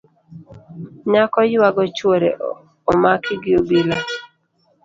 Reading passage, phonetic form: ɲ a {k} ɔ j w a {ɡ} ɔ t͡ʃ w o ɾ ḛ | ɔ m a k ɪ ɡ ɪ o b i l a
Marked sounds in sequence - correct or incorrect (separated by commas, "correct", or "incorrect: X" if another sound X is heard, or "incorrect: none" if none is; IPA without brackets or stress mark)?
correct, correct